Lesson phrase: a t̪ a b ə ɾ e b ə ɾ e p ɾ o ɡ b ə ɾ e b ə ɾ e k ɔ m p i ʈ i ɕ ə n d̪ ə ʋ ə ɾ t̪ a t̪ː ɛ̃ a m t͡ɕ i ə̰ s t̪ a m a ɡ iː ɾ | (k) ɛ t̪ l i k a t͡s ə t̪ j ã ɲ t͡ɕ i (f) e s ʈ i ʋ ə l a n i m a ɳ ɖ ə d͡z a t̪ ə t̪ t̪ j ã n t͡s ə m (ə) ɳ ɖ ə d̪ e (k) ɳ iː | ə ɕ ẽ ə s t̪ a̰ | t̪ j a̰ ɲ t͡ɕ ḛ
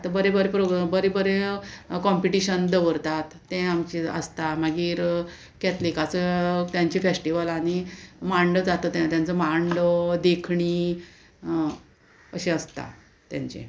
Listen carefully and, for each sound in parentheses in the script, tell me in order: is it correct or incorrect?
correct, correct, incorrect: a, incorrect: kʰ

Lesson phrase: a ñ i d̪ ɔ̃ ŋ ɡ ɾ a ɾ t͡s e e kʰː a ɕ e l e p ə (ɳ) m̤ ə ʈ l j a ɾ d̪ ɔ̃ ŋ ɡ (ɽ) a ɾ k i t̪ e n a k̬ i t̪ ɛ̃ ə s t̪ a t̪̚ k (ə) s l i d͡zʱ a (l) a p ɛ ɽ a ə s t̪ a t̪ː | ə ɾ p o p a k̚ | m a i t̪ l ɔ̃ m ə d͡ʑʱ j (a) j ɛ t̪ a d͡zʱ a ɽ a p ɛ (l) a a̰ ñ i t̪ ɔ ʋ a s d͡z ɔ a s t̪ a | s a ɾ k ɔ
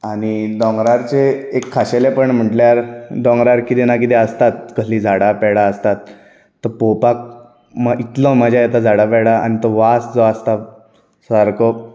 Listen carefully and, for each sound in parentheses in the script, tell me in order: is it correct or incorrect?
correct, incorrect: ɾ, correct, incorrect: ɽ, correct, incorrect: ɽ

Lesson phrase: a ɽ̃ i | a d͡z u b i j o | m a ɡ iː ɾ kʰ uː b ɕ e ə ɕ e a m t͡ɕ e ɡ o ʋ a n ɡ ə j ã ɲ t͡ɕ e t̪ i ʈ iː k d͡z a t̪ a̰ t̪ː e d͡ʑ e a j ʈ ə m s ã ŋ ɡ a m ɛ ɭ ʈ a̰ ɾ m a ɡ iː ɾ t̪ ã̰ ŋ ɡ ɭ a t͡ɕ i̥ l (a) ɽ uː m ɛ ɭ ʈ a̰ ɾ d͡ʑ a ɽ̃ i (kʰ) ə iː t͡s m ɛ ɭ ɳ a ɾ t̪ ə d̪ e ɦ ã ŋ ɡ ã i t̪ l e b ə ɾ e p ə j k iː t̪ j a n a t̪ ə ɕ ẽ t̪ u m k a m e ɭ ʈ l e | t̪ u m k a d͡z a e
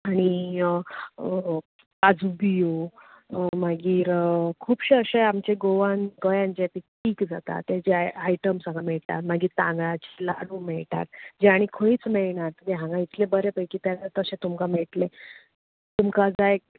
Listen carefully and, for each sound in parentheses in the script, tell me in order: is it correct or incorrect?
correct, correct

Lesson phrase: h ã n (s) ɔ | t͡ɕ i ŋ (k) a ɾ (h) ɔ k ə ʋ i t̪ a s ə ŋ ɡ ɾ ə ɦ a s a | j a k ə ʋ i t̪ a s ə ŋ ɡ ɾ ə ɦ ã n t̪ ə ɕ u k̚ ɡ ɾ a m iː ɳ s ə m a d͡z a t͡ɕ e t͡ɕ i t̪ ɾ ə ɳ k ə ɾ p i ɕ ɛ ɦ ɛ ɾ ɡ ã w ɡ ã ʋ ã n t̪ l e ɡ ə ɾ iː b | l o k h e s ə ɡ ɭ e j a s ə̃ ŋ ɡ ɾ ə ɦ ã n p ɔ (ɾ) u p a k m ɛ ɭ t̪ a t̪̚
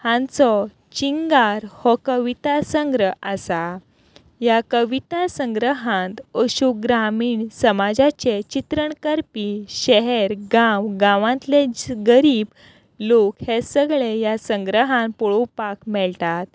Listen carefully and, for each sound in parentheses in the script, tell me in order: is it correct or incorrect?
incorrect: t͡s, incorrect: ɡ, correct, incorrect: ɭ

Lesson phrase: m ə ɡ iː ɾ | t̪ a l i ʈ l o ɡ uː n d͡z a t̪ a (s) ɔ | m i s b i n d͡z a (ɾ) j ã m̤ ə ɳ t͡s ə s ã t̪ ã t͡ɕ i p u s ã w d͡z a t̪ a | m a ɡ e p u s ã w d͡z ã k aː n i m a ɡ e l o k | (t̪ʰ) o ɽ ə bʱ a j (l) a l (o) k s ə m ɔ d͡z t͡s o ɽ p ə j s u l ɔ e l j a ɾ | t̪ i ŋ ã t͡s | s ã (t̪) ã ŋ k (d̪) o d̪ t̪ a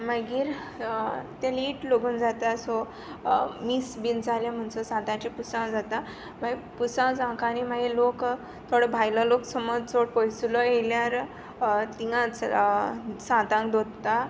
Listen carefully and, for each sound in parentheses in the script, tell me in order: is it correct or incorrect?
correct, incorrect: l, correct, correct, correct, correct, correct

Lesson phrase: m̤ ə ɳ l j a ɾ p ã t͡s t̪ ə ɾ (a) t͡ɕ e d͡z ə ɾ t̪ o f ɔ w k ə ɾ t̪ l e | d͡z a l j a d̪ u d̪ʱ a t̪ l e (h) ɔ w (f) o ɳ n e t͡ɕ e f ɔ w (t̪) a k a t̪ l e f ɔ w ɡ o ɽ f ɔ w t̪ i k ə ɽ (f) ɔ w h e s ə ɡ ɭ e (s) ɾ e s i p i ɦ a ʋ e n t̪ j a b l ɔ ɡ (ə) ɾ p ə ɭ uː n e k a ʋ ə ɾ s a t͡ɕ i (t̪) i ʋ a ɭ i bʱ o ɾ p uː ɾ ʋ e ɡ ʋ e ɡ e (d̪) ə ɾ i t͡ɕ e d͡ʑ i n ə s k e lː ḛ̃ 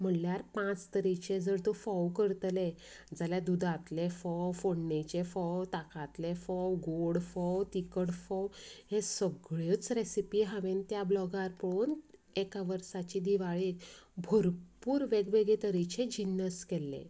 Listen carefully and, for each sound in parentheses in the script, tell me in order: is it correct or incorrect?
incorrect: i, incorrect: f, correct, correct, correct, incorrect: t͡s, incorrect: a, incorrect: d̪, incorrect: t̪

